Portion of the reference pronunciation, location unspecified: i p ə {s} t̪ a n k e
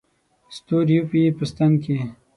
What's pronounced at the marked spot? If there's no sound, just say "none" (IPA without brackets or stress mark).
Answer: s